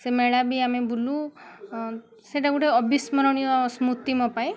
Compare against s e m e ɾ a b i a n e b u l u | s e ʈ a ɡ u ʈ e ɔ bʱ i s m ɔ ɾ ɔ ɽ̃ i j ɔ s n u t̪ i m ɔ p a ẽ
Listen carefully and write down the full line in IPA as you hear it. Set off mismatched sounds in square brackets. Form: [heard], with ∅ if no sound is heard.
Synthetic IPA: s e m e [ɭ] a b i a [m] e b u l u | s e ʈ a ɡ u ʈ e ɔ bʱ i s m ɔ ɾ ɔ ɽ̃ i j ɔ s [m] u t̪ i m ɔ p a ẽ